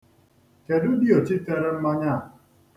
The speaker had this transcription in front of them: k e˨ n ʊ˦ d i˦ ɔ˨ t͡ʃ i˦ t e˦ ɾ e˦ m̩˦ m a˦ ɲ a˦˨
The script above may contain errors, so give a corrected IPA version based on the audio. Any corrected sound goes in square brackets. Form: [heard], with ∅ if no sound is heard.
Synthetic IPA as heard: k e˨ [d] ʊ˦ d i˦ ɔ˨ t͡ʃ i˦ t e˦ ɾ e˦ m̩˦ m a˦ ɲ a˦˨